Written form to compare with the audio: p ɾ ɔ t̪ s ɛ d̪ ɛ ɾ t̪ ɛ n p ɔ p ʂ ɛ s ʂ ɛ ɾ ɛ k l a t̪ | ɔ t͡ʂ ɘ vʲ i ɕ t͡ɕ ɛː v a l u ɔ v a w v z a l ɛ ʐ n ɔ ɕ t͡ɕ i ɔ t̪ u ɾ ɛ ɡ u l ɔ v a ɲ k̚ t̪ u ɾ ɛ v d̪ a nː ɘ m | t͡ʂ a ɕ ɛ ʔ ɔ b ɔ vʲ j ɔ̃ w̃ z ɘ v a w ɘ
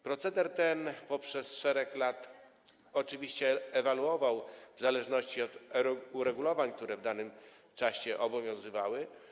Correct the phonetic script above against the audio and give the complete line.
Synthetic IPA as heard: p ɾ ɔ t̪ s ɛ d̪ ɛ ɾ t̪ ɛ n p ɔ p ʂ ɛ s ʂ ɛ ɾ ɛ k l a t̪ | ɔ t͡ʂ ɘ vʲ i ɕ t͡ɕ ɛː v a l u ɔ v a w v z a l ɛ ʐ n ɔ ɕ t͡ɕ i ɔ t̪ u ɾ ɛ ɡ u l ɔ v a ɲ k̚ t̪ u ɾ ɛ v d̪ a n ɘ m | t͡ʂ a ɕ ɛ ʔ ɔ b ɔ vʲ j ɔ̃ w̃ z ɘ v a w ɘ